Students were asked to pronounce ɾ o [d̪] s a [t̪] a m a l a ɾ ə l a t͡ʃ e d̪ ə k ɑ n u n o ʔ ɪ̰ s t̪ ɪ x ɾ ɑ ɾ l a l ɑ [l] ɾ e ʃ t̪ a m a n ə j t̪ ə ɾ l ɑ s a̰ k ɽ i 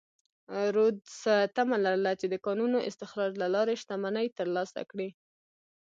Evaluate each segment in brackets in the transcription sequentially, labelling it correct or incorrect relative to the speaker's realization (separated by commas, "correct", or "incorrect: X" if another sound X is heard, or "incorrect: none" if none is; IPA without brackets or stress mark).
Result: correct, correct, incorrect: none